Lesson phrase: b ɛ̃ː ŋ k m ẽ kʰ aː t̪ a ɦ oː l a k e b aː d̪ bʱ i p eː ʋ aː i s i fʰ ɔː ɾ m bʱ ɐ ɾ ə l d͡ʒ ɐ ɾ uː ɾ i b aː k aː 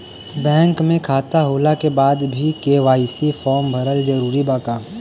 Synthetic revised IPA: b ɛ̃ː ŋ k m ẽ kʰ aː t̪ a ɦ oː l a k e b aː d̪ bʱ i k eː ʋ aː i s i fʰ ɔː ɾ m bʱ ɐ ɾ ə l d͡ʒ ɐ ɾ uː ɾ i b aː k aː